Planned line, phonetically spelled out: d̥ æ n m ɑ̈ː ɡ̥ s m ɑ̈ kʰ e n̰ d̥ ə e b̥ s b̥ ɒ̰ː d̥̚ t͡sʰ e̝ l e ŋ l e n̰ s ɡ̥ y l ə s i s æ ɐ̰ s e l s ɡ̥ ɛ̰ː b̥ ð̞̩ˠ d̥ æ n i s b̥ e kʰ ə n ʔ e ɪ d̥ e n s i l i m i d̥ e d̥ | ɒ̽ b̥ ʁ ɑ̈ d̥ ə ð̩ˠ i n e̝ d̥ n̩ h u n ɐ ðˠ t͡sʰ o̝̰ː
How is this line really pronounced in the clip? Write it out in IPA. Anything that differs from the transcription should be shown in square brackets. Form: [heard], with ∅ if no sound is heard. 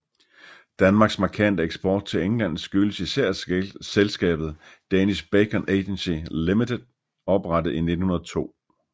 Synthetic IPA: d̥ æ n m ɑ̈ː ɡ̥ s m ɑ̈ kʰ [æ] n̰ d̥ ə e [ɡ̥] s b̥ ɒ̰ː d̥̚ t͡sʰ e̝ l e ŋ l [æ] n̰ s ɡ̥ y l ə s i s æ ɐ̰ s e l s ɡ̥ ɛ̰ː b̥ ð̞̩ˠ d̥ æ n i s b̥ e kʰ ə n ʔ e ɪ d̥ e n s i l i m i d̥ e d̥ | ɒ̽ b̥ ʁ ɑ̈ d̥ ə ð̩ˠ i n e̝ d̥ n̩ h u n ɐ ðˠ t͡sʰ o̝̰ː

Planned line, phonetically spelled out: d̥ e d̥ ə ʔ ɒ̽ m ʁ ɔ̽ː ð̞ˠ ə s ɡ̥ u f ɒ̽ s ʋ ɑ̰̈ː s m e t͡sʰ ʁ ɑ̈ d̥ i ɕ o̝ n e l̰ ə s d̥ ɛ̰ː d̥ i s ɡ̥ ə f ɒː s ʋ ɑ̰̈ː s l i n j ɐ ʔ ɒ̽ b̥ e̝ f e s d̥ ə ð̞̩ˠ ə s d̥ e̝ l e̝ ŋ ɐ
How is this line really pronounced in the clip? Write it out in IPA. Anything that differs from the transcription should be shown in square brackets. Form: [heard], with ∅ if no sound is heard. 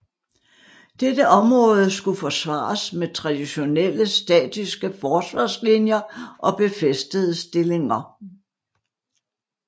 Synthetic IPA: d̥ e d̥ ə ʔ ɒ̽ m ʁ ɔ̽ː ð̞ˠ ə s ɡ̥ u f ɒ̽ s ʋ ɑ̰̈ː s m e t͡sʰ ʁ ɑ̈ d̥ i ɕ o̝ n e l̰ ə s d̥ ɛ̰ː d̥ i s ɡ̥ ə f ɒː s ʋ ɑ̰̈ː s l i n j ɐ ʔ ɒ̽ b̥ e̝ f e s d̥ ə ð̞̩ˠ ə s d̥ e̝ l e̝ ŋ ɐ

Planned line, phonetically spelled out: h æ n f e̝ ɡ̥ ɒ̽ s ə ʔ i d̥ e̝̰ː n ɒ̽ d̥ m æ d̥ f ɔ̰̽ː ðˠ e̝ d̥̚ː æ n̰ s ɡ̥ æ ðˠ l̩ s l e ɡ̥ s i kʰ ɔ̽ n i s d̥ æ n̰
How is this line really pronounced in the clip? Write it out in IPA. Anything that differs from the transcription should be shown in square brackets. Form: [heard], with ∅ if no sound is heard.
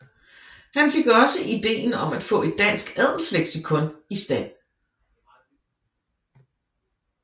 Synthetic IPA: h æ n f e̝ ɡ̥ ɒ̽ s ə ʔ i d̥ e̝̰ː n ɒ̽ [∅] m æ d̥ f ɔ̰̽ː [∅] e̝ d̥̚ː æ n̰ s ɡ̥ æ ðˠ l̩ s l e ɡ̥ s i kʰ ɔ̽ n i s d̥ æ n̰

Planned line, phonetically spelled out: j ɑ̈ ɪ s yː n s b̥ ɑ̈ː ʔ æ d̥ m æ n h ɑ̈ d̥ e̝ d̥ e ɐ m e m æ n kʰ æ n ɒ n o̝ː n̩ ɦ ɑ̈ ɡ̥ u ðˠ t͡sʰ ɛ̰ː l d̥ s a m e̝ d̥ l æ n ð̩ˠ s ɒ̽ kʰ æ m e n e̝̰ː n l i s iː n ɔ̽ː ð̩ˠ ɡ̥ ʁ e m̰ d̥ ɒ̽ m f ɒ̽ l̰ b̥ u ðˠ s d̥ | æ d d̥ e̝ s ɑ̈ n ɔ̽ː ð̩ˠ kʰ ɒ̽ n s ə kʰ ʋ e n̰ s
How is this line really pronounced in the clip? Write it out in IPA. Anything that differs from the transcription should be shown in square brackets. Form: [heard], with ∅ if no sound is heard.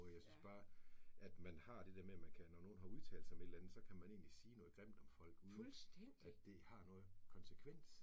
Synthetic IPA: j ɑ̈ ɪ s [y] n s b̥ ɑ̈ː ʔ æ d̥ m æ n h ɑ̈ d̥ e̝ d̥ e ɐ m e m æ n kʰ æ n ɒ n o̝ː n̩ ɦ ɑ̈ [∅] u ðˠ t͡sʰ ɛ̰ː l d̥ s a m e̝ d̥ l æ n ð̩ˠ s ɒ̽ kʰ æ m [æ] n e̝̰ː n l i s iː n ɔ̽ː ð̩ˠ ɡ̥ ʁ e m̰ d̥ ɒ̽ m f ɒ̽ l̰ [ɡ̥] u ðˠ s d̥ | æ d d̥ e̝ [h] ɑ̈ n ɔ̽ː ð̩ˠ kʰ ɒ̽ n s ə kʰ ʋ e n̰ s

